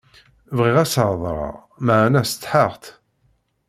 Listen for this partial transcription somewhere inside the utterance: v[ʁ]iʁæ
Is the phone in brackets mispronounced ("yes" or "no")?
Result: no